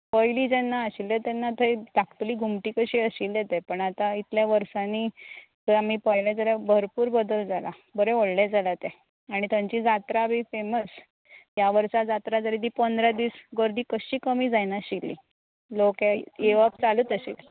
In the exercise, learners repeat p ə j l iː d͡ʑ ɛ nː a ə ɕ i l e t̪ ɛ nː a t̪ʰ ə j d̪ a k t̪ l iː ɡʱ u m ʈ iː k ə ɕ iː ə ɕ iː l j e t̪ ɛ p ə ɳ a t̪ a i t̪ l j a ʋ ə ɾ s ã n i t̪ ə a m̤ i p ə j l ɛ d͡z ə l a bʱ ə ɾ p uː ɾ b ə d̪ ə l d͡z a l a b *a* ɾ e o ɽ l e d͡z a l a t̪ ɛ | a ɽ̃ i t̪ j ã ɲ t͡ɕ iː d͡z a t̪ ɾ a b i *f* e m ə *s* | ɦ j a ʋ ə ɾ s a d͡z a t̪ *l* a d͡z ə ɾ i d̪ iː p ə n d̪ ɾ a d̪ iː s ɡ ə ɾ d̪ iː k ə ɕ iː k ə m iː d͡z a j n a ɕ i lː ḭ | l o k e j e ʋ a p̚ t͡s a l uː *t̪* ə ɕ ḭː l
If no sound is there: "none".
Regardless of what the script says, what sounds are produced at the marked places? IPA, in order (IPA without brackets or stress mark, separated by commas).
ə, f, s, ɾ, t̪